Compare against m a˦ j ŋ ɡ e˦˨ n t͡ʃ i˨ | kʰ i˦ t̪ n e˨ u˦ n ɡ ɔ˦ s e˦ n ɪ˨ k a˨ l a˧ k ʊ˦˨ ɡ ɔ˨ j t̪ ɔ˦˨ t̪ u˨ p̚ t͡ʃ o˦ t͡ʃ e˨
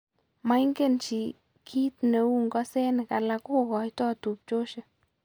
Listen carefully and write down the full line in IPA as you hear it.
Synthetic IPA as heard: m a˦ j ŋ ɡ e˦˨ n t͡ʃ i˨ | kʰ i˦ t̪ n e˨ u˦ ŋ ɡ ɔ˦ s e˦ n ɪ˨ k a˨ l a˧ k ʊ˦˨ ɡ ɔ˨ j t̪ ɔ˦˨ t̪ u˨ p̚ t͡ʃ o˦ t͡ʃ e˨